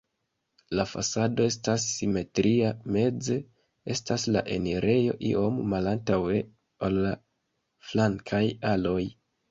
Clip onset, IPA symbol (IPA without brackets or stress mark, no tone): l